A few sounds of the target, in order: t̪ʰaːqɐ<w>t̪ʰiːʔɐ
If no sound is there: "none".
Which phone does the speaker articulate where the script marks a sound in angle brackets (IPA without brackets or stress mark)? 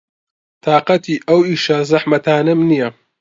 none